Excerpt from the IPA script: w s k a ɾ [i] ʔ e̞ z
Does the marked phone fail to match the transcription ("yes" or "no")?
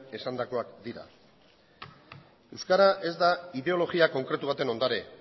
yes